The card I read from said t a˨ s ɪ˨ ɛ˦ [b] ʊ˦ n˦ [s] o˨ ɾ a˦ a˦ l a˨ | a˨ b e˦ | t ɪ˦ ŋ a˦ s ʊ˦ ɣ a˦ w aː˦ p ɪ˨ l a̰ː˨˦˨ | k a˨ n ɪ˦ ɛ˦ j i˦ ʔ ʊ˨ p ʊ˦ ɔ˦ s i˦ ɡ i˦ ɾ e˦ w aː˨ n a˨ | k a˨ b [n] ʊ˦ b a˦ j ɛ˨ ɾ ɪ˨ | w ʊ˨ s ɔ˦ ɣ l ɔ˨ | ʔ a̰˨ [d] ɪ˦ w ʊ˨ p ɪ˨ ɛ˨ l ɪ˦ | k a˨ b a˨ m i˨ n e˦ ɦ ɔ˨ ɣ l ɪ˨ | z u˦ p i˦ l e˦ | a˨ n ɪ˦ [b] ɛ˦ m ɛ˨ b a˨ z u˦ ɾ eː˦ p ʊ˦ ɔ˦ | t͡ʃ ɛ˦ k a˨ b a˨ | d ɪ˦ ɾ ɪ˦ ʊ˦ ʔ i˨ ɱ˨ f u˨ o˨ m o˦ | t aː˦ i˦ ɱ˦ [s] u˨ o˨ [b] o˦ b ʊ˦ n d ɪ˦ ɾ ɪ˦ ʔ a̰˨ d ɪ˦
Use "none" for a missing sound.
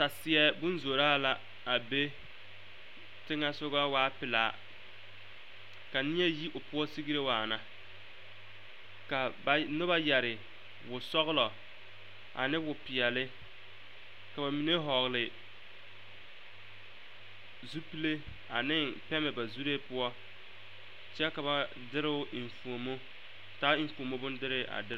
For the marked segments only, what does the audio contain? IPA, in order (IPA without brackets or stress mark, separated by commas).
b, z, n, n, p, f, m